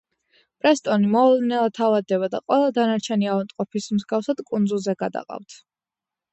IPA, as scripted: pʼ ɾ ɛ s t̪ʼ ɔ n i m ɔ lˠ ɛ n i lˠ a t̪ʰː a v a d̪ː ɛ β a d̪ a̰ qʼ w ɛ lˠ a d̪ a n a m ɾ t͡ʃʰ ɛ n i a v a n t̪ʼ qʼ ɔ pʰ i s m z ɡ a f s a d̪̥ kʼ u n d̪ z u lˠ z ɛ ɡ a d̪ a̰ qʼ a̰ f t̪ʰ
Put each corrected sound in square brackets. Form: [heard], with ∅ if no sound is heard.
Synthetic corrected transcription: pʼ ɾ ɛ s t̪ʼ ɔ n i m ɔ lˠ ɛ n [ɛ] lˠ a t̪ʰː a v a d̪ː ɛ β a d̪ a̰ qʼ w ɛ lˠ a d̪ a n a [∅] ɾ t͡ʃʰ ɛ n i a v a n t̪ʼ qʼ ɔ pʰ i s m z ɡ a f s a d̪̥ kʼ u n d̪ z u lˠ z ɛ ɡ a d̪ a̰ qʼ a̰ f t̪ʰ